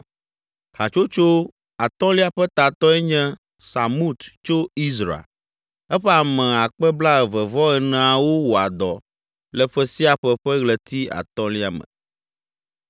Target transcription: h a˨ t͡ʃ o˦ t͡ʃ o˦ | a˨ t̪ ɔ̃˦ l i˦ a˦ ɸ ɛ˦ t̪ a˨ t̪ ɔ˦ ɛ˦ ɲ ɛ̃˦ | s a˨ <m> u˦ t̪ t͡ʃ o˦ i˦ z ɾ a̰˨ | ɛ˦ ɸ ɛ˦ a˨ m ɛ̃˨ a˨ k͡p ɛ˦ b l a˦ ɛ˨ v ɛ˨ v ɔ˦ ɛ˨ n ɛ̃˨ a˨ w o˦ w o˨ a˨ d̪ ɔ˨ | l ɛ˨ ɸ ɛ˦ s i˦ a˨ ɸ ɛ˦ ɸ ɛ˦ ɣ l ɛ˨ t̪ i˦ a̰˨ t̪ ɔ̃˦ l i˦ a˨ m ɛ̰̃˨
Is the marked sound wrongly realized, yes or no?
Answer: no